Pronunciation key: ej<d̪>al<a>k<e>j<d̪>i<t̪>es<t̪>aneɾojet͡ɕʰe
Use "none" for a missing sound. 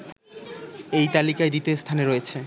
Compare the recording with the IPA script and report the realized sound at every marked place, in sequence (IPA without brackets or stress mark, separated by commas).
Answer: t̪, i, a, d̪, t̪, t̪ʰ